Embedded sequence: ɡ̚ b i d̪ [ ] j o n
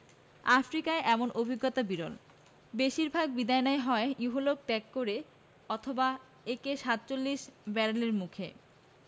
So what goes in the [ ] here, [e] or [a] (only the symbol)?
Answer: a